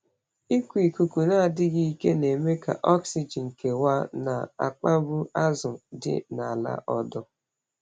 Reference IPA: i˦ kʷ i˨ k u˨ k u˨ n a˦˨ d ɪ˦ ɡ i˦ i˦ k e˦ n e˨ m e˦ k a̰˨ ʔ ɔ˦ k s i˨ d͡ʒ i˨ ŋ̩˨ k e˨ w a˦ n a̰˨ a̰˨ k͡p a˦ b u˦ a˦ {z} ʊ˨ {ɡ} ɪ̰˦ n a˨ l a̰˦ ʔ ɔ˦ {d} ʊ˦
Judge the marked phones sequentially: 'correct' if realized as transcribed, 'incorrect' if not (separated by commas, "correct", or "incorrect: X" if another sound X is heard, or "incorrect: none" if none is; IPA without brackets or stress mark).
correct, incorrect: d, correct